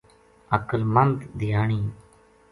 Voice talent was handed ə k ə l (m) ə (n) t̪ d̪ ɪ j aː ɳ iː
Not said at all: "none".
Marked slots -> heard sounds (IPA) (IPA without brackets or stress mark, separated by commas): m, n